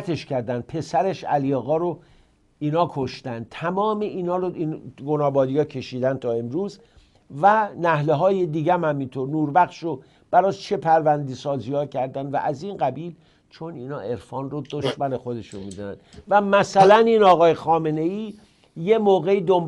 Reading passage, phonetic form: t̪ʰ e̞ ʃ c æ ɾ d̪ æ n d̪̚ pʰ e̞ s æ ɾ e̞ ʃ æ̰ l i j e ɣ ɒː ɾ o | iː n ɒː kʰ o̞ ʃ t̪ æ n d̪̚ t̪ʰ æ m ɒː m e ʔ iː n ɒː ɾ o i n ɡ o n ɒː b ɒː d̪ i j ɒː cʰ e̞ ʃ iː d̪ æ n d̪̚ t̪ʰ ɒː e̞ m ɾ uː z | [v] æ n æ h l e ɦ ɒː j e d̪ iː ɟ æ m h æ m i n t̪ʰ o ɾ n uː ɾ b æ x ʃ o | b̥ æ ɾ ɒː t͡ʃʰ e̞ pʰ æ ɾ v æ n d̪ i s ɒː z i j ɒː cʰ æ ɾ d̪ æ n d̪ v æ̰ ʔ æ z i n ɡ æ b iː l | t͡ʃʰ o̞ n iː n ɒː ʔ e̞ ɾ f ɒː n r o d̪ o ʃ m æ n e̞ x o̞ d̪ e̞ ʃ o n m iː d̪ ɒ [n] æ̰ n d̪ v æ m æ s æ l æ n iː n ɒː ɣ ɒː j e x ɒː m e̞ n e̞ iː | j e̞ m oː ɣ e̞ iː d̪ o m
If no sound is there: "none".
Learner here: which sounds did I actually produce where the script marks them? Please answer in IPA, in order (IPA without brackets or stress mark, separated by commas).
v, n